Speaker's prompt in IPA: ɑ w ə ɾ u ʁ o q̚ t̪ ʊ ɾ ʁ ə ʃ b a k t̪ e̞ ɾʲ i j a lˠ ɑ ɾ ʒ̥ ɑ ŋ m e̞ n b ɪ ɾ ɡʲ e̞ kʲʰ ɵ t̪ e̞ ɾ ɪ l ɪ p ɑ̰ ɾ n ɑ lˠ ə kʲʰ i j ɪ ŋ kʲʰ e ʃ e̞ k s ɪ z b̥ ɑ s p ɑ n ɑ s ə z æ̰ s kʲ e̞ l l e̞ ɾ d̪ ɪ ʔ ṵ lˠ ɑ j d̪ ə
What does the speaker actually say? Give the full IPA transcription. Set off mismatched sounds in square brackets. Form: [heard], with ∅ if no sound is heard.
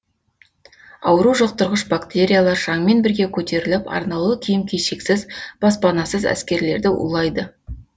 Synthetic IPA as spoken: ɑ w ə ɾ u [ʒ] o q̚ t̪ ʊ ɾ ʁ ə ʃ b a k t̪ e̞ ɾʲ i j a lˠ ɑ ɾ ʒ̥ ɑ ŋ m e̞ n b ɪ ɾ ɡʲ e̞ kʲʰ ɵ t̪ e̞ ɾ ɪ l ɪ p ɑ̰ ɾ n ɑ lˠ ə kʲʰ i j ɪ [m] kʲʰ e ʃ e̞ k s ɪ z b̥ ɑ s p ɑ n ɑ s ə z æ̰ s kʲ e̞ [ɾ] l e̞ ɾ d̪ ɪ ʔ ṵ lˠ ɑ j d̪ ə

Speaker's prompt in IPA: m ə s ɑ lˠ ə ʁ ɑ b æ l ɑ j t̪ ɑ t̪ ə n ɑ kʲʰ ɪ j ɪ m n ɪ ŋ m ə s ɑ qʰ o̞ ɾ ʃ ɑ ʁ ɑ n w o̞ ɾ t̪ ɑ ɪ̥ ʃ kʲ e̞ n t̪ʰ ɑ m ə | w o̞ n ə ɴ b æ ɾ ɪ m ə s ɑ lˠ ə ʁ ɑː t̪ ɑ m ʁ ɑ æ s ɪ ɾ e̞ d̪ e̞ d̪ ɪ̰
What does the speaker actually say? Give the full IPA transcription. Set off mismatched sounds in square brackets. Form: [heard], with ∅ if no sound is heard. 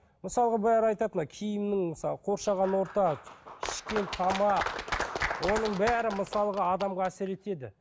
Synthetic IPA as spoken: m ə s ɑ lˠ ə ʁ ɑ b æ [ɾ] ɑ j t̪ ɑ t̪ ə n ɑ kʲʰ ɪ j ɪ m n ɪ ŋ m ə s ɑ qʰ o̞ ɾ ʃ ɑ ʁ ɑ n w o̞ ɾ t̪ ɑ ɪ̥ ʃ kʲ e̞ n t̪ʰ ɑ m [ɑ] | w o̞ n ə ɴ b æ ɾ ɪ m ə s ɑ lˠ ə ʁ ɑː [d̪] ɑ m ʁ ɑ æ s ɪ ɾ e̞ [t̪] e̞ d̪ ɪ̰

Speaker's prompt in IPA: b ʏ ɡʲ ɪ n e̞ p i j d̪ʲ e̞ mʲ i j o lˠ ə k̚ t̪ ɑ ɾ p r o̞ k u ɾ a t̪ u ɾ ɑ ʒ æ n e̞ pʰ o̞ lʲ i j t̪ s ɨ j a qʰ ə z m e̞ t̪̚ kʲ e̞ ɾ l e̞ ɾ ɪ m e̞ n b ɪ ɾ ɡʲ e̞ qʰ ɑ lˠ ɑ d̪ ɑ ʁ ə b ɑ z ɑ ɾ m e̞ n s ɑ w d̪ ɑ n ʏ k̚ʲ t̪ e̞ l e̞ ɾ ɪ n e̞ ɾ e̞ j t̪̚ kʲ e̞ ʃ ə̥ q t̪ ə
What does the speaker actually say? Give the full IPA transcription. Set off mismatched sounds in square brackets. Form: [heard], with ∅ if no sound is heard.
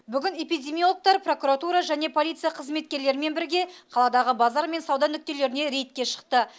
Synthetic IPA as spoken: b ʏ ɡʲ ɪ n e̞ p i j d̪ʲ e̞ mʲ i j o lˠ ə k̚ t̪ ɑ ɾ p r o̞ k u ɾ a t̪ u ɾ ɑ ʒ æ n e̞ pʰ o̞ lʲ i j t̪ s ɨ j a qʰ ə z m e̞ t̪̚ kʲ e̞ ɾ l e̞ ɾ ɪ m e̞ n b ɪ ɾ ɡʲ e̞ qʰ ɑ lˠ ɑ d̪ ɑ ʁ ə b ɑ z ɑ ɾ m e̞ n s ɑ w d̪ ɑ n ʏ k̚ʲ t̪ e̞ l e̞ ɾ ɪ n e̞ ɾ e̞ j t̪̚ kʲ e̞ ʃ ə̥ q t̪ ə

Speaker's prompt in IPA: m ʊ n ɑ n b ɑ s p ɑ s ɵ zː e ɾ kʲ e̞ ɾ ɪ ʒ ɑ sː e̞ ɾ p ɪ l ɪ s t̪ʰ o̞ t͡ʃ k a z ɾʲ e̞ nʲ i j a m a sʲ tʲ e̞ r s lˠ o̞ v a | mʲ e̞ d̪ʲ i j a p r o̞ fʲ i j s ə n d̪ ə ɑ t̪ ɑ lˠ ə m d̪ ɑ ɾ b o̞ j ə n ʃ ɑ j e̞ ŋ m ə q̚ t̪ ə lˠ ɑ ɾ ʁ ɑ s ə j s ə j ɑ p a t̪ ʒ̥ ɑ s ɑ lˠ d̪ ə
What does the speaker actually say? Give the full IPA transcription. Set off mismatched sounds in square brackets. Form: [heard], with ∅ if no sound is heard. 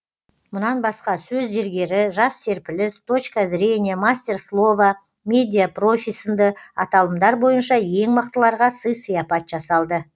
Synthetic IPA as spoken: m ʊ n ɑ n b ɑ s [q] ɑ s ɵ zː e ɾ [ɡʲ] e̞ ɾ ɪ ʒ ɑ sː e̞ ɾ p ɪ l ɪ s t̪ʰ o̞ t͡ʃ k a z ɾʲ e̞ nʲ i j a m a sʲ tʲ e̞ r s lˠ o̞ v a | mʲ e̞ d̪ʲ i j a p r o̞ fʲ i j s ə n d̪ ə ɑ t̪ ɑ lˠ ə m d̪ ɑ ɾ b o̞ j ə n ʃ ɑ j e̞ ŋ m ə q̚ t̪ ə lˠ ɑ ɾ ʁ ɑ s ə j s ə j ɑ p [ɑ] t̪ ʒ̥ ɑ s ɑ lˠ d̪ ə

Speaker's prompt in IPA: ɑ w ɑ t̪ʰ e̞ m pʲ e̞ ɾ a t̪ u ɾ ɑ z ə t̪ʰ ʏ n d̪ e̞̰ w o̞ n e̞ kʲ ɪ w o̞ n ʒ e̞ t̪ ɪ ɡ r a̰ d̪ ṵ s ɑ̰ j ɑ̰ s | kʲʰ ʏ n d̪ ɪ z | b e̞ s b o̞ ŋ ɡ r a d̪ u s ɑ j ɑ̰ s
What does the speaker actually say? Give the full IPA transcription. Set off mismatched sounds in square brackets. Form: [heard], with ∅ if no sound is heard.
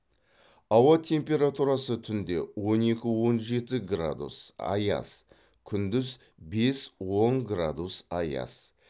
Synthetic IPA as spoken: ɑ w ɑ t̪ʰ e̞ m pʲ e̞ ɾ a t̪ u ɾ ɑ [s] ə t̪ʰ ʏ n d̪ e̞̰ w o̞ n e̞ kʲ ɪ w o̞ n ʒ e̞ t̪ ɪ ɡ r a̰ d̪ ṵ s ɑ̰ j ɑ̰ s | kʲʰ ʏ n d̪ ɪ z | b e̞ s [w] o̞ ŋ ɡ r a d̪ u s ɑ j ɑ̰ s

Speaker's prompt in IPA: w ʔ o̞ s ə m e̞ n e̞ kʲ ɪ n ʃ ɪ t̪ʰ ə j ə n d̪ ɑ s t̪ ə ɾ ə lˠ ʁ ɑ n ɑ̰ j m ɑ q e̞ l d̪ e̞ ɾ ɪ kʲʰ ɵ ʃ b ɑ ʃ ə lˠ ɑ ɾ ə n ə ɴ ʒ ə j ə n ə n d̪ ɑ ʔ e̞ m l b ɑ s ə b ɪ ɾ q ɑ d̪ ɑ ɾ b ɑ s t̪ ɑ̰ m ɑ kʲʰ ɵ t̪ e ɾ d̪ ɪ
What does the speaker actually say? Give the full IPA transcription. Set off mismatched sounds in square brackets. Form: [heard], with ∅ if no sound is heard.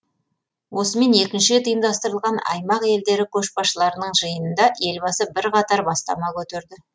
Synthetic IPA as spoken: w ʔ o̞ s ə m e̞ n e̞ kʲ ɪ n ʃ ɪ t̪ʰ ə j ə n d̪ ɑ s t̪ ə ɾ ə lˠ ʁ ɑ n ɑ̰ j m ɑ q e̞ l d̪ e̞ ɾ ɪ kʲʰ ɵ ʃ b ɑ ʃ ə lˠ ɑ ɾ ə n ə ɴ ʒ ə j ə n ə n d̪ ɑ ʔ e̞ [∅] l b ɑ s ə b ɪ ɾ q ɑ [t̪] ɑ ɾ b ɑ s t̪ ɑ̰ m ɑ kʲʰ ɵ t̪ e ɾ d̪ ɪ

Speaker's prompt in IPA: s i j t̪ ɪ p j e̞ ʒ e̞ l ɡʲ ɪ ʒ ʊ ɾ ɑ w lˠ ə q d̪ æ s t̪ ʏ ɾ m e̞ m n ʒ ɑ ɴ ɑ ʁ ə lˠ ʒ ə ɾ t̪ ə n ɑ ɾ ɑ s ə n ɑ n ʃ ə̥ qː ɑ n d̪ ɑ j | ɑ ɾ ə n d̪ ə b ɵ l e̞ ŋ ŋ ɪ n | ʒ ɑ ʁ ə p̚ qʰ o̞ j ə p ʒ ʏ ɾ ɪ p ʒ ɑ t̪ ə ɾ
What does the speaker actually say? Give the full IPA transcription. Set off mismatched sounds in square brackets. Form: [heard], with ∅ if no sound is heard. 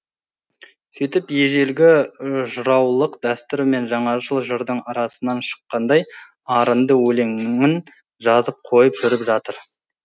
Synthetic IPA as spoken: s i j t̪ ɪ p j e̞ ʒ e̞ l ɡʲ ɪ ʒ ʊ ɾ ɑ w lˠ ə q d̪ æ s t̪ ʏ ɾ m e̞ [∅] n ʒ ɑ ɴ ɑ [ʒ] ə lˠ ʒ ə ɾ [d̪] ə [ɴ] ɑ ɾ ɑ s ə n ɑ n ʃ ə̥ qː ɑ n d̪ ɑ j | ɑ ɾ ə n d̪ ə [w] ɵ l e̞ ŋ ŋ ɪ n | ʒ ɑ [z] ə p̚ qʰ o̞ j ə p ʒ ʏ ɾ ɪ p ʒ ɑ t̪ ə ɾ

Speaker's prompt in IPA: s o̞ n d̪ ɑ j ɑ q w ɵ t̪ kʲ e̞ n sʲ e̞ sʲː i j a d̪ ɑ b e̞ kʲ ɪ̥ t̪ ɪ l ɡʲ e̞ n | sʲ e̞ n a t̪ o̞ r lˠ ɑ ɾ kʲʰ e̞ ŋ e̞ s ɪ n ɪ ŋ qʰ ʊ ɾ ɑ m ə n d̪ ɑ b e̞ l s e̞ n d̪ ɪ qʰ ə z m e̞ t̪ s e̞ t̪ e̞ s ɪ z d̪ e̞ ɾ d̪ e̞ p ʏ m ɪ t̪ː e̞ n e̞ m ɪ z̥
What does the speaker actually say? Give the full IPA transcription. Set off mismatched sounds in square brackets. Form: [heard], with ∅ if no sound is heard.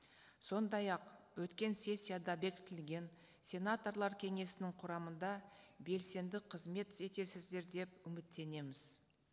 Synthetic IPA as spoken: s o̞ n d̪ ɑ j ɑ q w ɵ t̪ kʲ e̞ n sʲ e̞ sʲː i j a d̪ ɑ b e̞ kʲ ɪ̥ t̪ ɪ l ɡʲ e̞ n | sʲ e̞ n a t̪ o̞ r lˠ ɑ ɾ kʲʰ e̞ ŋ e̞ s ɪ n ɪ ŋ qʰ ʊ ɾ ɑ m ə n d̪ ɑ b e̞ l s e̞ n d̪ ɪ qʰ ə z m e̞ t̪ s e̞ t̪ e̞ s ɪ z d̪ e̞ ɾ d̪ e̞ p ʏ m ɪ t̪ː e̞ n e̞ m ɪ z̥

